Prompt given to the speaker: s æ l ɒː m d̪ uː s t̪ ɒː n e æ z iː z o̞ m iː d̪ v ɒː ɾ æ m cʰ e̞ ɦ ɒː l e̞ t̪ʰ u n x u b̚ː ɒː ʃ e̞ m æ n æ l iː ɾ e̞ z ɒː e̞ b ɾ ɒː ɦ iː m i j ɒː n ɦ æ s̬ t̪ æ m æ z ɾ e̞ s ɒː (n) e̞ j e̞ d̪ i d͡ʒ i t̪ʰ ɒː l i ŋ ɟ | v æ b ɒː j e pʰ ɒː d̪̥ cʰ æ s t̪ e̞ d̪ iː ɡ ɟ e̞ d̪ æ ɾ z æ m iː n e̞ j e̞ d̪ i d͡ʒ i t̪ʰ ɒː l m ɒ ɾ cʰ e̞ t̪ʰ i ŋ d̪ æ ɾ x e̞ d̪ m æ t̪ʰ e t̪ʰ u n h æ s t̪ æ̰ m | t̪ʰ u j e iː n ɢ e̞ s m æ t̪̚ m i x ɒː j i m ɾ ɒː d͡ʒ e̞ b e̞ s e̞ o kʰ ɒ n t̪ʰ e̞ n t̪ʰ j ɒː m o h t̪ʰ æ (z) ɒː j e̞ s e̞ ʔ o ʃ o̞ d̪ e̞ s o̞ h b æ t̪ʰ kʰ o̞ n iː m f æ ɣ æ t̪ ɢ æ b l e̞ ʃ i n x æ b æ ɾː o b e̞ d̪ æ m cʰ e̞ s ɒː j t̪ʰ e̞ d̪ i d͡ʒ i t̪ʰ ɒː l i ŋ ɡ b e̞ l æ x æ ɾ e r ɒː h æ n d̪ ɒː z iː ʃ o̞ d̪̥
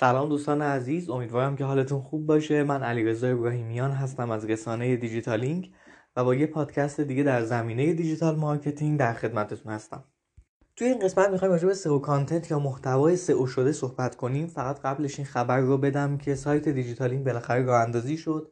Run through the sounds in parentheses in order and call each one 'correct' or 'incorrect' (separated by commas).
correct, incorrect